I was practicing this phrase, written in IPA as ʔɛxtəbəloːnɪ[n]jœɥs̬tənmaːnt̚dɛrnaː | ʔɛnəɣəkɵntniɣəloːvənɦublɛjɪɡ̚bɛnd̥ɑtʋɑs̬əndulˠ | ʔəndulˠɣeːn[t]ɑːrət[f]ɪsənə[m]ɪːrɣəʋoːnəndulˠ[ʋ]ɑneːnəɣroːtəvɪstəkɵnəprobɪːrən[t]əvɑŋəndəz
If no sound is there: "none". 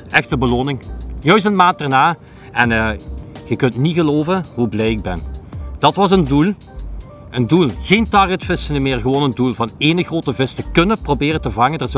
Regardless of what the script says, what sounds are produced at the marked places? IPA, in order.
ŋ, t, f, m, v, t

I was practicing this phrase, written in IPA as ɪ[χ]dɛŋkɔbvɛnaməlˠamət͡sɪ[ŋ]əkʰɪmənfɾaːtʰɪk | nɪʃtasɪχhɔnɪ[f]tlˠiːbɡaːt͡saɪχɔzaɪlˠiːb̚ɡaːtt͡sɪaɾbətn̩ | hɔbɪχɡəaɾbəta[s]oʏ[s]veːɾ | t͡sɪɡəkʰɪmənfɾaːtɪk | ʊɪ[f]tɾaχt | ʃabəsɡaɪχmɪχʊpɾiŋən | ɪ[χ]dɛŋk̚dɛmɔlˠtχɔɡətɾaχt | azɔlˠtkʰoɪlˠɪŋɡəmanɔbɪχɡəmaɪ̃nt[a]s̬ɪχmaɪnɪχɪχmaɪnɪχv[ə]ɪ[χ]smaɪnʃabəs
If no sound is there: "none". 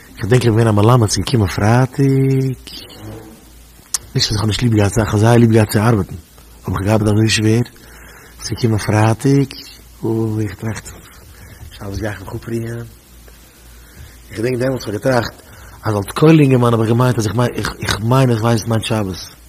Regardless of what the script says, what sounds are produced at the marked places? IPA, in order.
χ, ɡ, ʃ, z, ʃ, χ, χ, a, a, s

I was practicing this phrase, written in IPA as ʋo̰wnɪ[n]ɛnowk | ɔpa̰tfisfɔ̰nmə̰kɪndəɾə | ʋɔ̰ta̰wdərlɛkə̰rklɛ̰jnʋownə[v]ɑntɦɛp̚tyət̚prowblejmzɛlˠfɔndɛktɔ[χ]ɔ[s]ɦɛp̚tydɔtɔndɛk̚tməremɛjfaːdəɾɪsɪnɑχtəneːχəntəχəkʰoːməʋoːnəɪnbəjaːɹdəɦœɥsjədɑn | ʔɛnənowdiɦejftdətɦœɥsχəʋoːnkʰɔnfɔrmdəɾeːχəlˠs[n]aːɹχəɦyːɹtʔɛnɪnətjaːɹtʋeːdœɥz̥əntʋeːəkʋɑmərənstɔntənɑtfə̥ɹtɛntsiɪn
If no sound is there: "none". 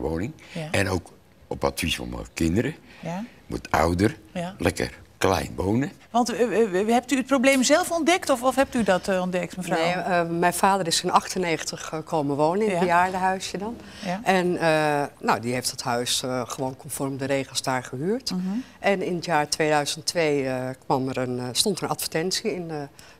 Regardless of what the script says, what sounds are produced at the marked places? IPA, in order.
ŋ, ʋ, f, f, d

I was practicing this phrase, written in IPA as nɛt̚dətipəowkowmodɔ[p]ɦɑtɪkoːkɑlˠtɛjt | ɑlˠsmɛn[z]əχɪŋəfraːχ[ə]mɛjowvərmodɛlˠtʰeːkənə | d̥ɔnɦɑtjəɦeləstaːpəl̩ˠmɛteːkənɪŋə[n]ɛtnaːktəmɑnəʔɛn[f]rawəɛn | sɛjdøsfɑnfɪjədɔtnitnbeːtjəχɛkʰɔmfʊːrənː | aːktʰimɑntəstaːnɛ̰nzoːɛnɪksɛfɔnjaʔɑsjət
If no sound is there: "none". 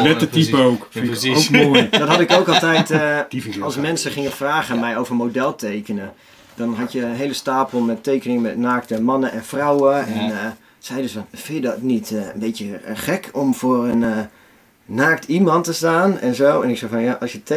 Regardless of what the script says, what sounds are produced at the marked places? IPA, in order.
t, s, ə, m, f

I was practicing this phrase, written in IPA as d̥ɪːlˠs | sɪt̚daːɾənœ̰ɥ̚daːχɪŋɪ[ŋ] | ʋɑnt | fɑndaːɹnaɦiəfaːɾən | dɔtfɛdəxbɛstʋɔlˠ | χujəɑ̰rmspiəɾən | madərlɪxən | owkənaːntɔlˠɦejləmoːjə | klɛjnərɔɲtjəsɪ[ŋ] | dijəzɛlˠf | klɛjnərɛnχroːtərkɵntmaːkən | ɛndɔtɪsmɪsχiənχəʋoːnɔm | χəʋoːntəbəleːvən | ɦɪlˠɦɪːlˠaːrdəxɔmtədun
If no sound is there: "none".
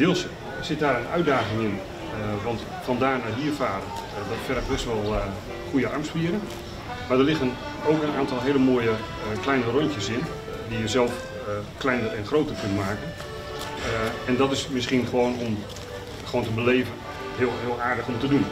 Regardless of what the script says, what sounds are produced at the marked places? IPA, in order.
n, n

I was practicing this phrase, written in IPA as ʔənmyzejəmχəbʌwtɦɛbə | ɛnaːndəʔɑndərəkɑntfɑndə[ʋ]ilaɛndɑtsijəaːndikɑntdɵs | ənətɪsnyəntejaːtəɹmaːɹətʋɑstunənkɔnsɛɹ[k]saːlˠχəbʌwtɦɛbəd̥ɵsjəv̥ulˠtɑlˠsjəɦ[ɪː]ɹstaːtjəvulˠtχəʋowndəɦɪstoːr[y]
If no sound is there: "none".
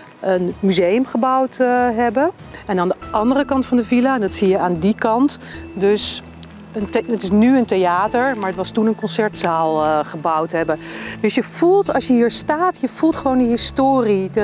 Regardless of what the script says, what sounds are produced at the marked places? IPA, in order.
v, t, iː, i

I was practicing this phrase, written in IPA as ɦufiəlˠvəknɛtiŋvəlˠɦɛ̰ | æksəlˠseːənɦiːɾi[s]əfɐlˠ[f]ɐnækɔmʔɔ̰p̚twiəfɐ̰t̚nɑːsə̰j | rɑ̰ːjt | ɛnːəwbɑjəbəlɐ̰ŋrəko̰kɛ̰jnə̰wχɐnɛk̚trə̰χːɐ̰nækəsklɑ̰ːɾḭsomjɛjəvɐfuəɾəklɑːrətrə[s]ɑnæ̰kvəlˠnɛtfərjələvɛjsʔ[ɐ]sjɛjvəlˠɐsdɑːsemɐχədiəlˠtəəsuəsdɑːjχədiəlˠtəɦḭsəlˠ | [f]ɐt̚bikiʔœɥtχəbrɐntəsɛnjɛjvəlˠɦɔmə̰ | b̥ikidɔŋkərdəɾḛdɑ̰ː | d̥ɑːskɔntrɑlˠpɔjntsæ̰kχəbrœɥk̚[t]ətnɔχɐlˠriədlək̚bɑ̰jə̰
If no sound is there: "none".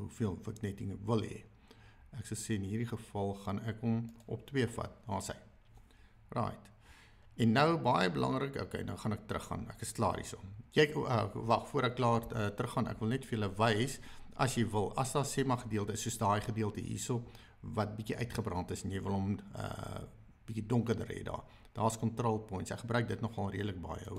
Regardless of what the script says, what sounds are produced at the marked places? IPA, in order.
χ, χ, χ, ɐ, v, d

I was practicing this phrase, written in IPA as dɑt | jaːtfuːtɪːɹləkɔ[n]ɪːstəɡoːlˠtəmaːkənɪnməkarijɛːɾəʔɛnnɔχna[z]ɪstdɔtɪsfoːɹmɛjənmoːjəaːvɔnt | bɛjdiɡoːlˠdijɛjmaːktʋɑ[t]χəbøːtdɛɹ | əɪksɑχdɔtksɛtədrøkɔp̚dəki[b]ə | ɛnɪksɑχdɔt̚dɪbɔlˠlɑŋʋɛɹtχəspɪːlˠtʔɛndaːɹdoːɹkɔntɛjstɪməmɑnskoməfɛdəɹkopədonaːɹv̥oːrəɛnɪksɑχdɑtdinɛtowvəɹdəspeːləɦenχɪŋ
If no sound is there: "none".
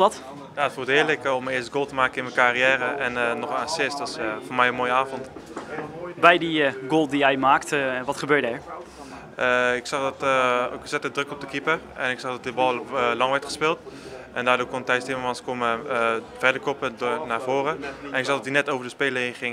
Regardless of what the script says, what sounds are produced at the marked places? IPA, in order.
m, s, t, p

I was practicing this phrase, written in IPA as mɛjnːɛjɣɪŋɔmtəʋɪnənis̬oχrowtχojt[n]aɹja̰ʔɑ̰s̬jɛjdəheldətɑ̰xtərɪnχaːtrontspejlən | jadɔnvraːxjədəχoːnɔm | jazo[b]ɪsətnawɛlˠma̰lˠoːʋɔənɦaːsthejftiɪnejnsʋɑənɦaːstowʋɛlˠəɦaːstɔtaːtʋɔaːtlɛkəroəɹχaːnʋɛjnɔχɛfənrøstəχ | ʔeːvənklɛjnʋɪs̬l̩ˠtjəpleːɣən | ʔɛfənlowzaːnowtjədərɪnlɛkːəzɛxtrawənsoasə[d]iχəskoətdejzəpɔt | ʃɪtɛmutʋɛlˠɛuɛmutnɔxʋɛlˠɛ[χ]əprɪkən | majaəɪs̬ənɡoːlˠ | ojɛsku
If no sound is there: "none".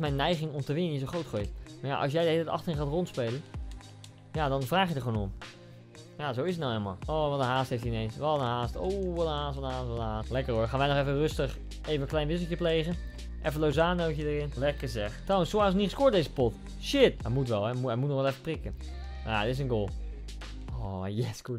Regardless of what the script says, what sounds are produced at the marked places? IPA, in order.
m, w, n, f

